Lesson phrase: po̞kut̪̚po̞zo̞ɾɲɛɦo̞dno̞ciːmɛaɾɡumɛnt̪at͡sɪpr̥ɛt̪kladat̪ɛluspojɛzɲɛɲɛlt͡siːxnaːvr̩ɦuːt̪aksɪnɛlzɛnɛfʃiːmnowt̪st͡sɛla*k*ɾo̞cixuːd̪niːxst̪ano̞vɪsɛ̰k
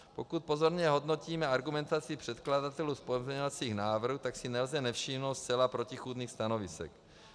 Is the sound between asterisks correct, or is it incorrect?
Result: incorrect